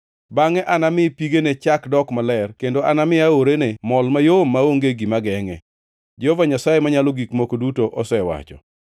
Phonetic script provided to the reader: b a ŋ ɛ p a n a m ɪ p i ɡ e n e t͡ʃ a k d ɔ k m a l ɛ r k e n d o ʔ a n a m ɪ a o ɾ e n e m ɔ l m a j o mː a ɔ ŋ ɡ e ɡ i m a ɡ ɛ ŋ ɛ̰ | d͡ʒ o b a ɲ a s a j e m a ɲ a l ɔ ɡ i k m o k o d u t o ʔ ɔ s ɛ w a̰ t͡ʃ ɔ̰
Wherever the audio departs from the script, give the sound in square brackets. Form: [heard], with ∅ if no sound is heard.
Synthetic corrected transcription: b a ŋ ɛ [ʔ] a n a m ɪ p i ɡ e n e t͡ʃ a k d ɔ k m a l ɛ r k e n d o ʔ a n a m ɪ a o ɾ e n e m ɔ l m a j o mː a [o] ŋ ɡ e ɡ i m a ɡ ɛ ŋ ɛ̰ | d͡ʒ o [v] a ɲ a s a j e m a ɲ a l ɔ ɡ i k m o k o d u t o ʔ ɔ s ɛ w a̰ t͡ʃ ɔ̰